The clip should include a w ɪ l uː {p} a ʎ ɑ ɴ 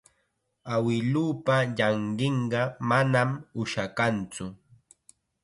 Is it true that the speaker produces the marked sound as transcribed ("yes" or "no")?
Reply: yes